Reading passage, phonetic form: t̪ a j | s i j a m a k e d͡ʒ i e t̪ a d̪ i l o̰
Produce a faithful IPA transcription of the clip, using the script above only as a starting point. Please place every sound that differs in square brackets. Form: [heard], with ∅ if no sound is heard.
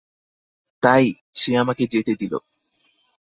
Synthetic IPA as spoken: t̪ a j | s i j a m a k e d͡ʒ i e t̪ [e] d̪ i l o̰